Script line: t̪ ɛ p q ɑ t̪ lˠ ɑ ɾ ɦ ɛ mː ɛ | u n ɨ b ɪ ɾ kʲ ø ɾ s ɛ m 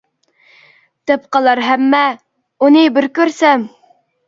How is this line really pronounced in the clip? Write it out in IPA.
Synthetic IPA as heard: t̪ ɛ p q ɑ lˠ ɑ ɾ ɦ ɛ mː ɛ | u n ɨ b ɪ ɾ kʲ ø ɾ s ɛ m